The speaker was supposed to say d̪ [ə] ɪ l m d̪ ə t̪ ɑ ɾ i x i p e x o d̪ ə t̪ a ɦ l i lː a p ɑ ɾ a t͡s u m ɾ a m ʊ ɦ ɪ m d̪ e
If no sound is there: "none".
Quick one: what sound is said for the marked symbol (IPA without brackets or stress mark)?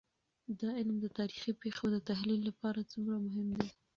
ɑ